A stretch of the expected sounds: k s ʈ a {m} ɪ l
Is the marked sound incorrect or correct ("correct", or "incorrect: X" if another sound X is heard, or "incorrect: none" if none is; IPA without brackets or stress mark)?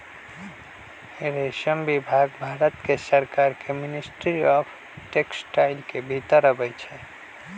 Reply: incorrect: none